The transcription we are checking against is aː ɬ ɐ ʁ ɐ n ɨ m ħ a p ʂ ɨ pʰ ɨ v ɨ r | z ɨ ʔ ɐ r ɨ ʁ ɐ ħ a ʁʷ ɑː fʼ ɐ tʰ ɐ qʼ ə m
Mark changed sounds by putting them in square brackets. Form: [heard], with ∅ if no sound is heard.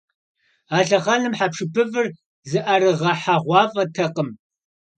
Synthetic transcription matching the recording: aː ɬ ɐ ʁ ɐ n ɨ m ħ a p ʂ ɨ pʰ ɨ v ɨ r | z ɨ ʔ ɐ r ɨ ʁ ɐ ħ a ʁʷ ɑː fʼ ɐ tʰ ɐ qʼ ə m